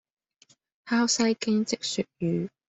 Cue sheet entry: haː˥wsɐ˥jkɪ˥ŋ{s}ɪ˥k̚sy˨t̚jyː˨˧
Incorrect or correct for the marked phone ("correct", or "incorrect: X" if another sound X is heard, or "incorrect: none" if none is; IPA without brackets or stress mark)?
incorrect: t͡s